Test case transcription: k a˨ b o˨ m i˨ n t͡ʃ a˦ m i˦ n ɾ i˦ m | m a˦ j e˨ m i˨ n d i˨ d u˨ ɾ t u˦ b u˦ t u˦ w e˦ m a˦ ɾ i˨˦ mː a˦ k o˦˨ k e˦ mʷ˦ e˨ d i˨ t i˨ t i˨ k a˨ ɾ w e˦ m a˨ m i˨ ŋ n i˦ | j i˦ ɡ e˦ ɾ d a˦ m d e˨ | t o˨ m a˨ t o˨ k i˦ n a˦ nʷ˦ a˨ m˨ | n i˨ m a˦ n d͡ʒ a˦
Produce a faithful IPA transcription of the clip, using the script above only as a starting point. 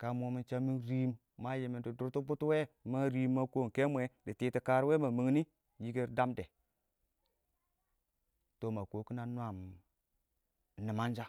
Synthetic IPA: k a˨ m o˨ m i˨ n t͡ʃ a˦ m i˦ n ɾ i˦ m | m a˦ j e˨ m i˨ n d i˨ d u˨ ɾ t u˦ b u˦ t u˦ w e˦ m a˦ ɾ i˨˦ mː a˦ k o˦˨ k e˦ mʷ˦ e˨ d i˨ t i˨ t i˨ k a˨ ɾ w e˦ m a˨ m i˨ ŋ n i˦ | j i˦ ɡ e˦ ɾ d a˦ m d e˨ | t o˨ m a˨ k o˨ k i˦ n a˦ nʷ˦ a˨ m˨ | n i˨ m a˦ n d͡ʒ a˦